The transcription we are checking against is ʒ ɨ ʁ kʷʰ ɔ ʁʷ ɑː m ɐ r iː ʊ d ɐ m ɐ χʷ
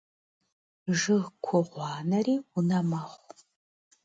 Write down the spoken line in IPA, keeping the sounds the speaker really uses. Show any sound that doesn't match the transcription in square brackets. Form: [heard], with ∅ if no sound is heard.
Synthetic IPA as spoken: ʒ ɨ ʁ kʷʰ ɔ ʁʷ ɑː [n] ɐ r iː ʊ [n] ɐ m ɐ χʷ

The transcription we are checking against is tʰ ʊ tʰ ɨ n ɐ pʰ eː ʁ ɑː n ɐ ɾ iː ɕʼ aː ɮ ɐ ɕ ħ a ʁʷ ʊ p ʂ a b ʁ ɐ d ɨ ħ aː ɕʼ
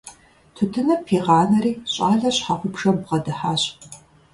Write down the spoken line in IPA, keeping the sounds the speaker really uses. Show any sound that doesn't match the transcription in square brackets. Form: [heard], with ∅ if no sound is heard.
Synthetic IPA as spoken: tʰ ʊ tʰ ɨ n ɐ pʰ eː ʁ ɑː n ɐ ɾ iː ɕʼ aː ɮ ɐ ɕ ħ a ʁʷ ʊ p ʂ [ɐ] b ʁ ɐ d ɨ ħ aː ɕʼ

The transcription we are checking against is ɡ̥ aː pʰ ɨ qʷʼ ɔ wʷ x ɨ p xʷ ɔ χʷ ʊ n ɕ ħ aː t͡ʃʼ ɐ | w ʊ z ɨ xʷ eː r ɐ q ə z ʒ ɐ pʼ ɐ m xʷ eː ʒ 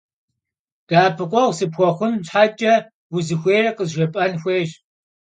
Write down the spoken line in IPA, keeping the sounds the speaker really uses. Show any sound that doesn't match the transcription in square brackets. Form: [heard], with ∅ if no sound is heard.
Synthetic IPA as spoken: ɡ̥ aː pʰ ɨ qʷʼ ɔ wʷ [s] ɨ p xʷ ɔ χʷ ʊ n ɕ ħ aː t͡ʃʼ ɐ | w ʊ z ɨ xʷ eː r ɐ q ə z ʒ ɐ pʼ ɐ [n] xʷ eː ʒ

